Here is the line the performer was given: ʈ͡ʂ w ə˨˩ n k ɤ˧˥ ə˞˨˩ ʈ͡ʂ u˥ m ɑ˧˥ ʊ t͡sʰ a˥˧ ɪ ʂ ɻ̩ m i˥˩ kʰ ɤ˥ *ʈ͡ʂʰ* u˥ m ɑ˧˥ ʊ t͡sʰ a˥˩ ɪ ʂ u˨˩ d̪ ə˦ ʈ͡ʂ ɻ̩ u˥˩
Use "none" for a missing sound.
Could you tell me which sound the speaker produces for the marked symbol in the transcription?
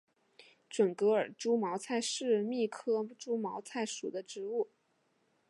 ʈ͡ʂ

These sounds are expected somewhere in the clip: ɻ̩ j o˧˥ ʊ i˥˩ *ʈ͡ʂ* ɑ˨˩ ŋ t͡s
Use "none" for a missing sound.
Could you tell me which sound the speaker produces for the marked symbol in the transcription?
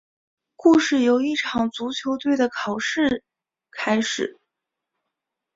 ʈ͡ʂʰ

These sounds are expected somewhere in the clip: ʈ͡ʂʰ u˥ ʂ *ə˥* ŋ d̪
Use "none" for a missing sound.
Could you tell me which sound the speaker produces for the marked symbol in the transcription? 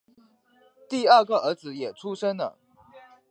ə˥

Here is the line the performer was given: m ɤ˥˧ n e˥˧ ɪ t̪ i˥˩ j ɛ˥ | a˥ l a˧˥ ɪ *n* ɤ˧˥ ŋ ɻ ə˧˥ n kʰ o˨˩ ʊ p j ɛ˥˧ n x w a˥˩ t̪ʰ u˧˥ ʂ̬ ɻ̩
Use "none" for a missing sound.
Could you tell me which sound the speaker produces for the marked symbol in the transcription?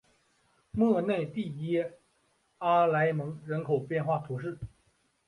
m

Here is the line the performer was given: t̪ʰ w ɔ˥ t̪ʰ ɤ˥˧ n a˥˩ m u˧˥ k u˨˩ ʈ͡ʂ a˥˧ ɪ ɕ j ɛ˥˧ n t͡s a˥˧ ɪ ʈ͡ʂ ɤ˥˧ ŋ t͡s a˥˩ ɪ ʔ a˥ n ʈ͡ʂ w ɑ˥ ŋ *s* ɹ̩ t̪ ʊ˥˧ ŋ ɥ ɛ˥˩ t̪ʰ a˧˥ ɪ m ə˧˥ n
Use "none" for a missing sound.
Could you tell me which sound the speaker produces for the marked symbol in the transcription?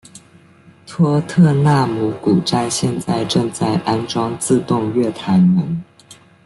t͡s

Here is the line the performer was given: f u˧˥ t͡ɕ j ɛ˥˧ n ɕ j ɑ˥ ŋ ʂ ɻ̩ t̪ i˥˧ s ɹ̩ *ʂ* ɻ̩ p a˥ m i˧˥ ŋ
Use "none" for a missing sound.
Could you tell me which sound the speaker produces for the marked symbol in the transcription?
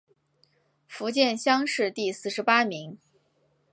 ʂ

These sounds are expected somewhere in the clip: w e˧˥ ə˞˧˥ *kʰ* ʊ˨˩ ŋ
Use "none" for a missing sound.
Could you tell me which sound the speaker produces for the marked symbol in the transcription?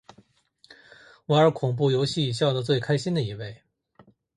kʰ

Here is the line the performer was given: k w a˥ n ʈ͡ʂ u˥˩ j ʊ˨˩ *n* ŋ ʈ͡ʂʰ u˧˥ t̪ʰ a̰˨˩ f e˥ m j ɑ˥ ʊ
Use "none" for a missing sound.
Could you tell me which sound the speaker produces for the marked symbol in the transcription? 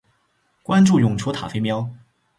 none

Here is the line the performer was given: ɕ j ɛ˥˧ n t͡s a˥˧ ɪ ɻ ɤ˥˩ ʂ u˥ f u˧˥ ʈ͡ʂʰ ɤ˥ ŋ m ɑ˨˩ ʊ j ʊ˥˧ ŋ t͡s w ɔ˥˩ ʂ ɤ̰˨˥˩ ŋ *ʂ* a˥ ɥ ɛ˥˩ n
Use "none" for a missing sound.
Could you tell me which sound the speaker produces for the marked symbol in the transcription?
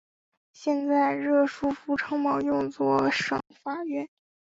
f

